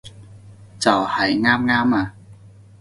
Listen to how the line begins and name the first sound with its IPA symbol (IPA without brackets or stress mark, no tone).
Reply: t͡s